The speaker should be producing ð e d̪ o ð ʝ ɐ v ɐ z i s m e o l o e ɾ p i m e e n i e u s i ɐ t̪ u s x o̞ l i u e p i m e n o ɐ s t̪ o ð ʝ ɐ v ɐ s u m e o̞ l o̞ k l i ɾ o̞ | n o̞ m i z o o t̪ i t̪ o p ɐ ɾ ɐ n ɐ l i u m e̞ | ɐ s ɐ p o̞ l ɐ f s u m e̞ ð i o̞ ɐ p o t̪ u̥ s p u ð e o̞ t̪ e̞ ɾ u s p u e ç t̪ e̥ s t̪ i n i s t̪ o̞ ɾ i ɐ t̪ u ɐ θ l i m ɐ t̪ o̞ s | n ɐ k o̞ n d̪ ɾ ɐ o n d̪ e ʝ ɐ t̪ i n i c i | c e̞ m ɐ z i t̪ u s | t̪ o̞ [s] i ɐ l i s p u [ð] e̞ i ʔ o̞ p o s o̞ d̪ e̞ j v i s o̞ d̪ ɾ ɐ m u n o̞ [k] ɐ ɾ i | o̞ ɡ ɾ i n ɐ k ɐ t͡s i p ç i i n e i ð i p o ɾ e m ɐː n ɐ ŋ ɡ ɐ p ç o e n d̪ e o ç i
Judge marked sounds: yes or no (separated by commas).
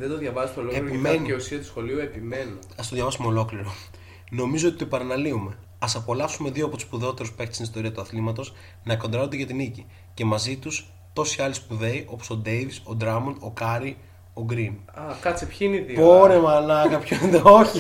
yes, yes, yes